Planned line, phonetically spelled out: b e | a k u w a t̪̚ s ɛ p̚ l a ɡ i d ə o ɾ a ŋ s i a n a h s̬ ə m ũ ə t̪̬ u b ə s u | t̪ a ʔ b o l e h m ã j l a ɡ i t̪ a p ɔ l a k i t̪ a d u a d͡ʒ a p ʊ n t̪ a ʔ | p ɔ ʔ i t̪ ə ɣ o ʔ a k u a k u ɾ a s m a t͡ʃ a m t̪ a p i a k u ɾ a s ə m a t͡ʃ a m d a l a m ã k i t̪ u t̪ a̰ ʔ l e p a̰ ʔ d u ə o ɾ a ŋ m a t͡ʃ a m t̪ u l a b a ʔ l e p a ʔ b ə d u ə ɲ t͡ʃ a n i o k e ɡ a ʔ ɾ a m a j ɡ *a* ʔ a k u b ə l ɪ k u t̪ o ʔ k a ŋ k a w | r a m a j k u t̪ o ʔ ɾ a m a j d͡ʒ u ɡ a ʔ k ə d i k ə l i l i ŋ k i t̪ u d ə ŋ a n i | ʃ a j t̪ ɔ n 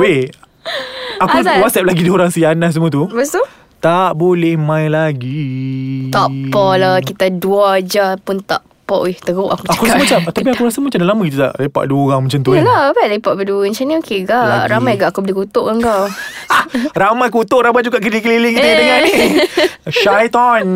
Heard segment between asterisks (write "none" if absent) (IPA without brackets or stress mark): a